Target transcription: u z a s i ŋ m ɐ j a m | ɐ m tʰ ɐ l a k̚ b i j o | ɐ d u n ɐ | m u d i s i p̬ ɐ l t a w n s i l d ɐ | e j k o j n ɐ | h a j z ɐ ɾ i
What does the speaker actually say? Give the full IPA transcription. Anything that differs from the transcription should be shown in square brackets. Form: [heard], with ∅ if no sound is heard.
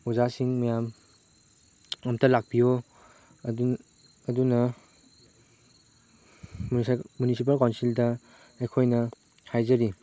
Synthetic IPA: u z a s i ŋ m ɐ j a m | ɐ m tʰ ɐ l a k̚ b i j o | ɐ d u n ɐ | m u [n] i s i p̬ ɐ l [k] a w n s i l d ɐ | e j [kʰ] o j n ɐ | h a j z ɐ ɾ i